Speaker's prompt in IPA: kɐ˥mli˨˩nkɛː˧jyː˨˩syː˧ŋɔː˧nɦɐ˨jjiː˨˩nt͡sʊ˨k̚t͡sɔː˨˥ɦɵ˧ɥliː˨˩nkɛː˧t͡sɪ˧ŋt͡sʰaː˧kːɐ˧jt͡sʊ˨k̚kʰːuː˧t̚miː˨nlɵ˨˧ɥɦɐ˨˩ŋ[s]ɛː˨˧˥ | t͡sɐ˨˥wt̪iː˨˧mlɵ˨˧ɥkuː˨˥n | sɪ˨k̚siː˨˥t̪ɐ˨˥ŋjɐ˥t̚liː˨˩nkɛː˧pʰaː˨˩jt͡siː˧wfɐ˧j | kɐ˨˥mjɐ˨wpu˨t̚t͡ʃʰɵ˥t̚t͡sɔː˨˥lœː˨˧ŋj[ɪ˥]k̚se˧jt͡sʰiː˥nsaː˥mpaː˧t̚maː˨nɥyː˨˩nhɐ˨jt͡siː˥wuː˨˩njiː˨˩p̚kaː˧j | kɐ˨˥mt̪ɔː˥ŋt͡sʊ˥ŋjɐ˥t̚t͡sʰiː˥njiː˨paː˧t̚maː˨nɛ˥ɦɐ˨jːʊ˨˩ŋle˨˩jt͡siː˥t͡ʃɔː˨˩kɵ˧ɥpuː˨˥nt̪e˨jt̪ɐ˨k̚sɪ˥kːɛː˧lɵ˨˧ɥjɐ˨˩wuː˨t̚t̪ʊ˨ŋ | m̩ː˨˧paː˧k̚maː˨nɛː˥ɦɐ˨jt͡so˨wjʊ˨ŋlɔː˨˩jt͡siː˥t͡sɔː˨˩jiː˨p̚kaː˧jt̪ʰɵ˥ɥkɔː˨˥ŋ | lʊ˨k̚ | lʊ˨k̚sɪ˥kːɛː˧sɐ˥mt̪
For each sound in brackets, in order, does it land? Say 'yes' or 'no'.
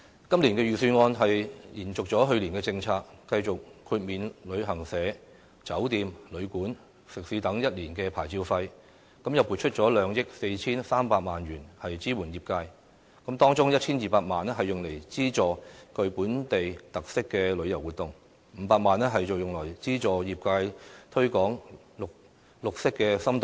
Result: yes, yes

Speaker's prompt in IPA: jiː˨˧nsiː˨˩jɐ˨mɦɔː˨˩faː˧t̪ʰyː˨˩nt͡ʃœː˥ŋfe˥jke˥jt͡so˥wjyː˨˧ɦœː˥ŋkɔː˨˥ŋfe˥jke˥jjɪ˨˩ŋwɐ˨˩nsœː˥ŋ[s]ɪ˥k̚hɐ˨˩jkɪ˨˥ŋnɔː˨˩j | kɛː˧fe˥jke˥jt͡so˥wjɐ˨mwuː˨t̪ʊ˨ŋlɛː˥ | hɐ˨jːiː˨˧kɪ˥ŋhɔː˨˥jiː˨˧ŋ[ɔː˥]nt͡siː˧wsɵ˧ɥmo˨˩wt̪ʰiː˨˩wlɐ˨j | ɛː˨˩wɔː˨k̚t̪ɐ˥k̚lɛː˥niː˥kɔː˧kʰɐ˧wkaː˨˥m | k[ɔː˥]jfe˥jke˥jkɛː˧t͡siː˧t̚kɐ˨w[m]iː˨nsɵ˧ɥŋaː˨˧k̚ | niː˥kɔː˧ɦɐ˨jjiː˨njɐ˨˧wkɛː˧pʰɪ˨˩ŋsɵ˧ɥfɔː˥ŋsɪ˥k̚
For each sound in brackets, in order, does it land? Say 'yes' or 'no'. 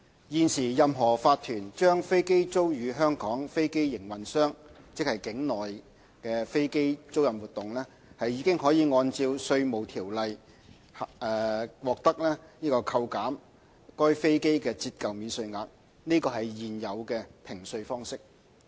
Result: no, no, yes, yes

